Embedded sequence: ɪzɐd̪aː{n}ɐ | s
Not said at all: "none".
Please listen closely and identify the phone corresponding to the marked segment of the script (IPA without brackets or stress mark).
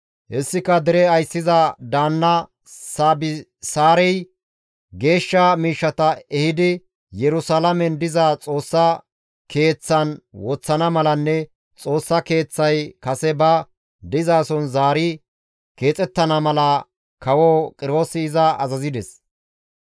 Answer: nː